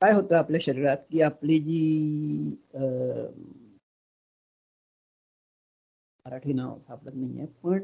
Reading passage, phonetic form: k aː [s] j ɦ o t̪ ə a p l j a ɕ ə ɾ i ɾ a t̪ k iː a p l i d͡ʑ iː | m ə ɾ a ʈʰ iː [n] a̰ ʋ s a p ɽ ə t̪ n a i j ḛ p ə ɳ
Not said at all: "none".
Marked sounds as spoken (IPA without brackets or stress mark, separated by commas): none, n